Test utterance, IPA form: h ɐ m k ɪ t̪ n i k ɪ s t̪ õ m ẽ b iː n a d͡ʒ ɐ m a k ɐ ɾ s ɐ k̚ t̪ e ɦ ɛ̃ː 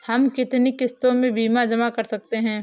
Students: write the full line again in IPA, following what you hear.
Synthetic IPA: h ɐ m k ɪ t̪ n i k ɪ s t̪ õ m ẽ b iː m a d͡ʒ ɐ m a k ɐ ɾ s ɐ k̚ t̪ e ɦ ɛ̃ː

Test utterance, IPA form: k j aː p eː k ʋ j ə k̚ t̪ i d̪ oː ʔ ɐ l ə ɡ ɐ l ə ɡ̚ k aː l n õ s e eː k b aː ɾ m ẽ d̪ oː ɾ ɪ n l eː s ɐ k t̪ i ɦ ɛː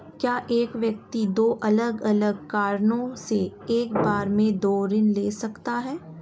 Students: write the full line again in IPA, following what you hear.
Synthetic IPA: k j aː ʔ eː k ʋ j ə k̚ t̪ i d̪ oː ʔ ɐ l ə ɡ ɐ l ə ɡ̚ k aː ɾ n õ s e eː k b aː ɾ m ẽ d̪ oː ɾ ɪ n l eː s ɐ k t̪ a ɦ ɛː

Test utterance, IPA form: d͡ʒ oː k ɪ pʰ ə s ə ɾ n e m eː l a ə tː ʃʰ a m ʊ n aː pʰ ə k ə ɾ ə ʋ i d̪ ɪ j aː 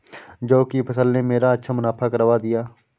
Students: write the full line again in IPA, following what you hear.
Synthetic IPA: d͡ʒ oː k i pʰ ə s ə l n e m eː ɾ a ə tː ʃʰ a m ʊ n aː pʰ a k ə ɾ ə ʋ a d̪ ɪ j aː

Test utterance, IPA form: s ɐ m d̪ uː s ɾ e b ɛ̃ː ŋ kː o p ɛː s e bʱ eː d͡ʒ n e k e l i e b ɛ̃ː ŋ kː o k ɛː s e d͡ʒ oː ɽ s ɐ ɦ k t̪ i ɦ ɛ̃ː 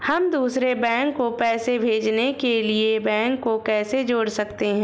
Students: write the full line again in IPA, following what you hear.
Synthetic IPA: h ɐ m d̪ uː s ɾ e b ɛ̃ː ŋ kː o p ɛː s e bʱ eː d͡ʒ n e k e l i e b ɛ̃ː ŋ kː o k ɛː s e d͡ʒ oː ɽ s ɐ k t̪ e ɦ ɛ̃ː

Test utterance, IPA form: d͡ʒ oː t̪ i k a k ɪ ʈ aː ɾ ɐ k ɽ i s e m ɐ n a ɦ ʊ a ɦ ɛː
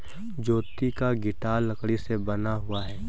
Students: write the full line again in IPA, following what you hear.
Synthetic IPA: d͡ʒ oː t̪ i k a ɡ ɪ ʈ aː l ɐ k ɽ i s e b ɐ n a ɦ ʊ a ɦ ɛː

